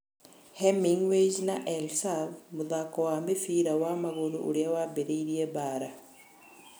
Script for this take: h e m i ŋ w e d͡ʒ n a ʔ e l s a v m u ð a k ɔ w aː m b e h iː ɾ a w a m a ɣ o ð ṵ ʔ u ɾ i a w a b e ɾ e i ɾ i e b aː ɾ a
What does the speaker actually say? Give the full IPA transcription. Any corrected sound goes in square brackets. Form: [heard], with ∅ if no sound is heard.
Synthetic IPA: h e m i ŋ w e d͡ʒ n a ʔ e l s a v m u ð a k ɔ w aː m b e [f] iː ɾ a w a m a ɣ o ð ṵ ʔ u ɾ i a w a b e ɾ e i ɾ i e b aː ɾ a